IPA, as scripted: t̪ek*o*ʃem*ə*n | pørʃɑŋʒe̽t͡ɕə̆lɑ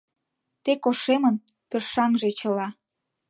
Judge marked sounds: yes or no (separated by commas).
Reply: yes, yes